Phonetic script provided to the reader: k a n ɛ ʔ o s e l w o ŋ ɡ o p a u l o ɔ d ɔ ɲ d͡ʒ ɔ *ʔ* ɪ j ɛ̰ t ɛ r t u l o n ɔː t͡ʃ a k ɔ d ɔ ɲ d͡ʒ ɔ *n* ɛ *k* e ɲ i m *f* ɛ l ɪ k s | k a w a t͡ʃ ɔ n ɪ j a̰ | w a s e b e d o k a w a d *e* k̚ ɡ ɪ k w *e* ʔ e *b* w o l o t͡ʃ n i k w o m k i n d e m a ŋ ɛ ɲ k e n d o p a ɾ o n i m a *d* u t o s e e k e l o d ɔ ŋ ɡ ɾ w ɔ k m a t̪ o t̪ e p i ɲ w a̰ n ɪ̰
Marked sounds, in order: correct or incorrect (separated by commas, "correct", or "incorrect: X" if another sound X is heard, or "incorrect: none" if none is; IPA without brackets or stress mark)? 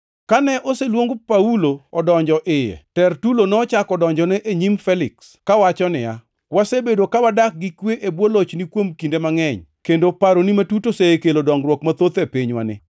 correct, correct, incorrect: ʔ, correct, incorrect: a, correct, correct, incorrect: t